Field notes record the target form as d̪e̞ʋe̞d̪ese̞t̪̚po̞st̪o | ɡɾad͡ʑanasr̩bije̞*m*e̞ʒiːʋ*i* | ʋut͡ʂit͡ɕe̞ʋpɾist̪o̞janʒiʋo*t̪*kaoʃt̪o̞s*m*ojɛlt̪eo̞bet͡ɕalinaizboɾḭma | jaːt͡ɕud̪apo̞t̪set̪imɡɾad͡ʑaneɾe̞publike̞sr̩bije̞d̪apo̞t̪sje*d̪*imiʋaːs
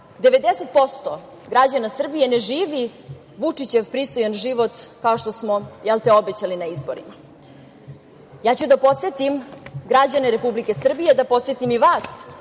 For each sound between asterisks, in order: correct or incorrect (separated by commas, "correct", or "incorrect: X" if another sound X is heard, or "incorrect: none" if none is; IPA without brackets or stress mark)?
incorrect: n, correct, correct, correct, incorrect: t̪